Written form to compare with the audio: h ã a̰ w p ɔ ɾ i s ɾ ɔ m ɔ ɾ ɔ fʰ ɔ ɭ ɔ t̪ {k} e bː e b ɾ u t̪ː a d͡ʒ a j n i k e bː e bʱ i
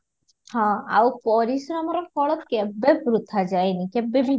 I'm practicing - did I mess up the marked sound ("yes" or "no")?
no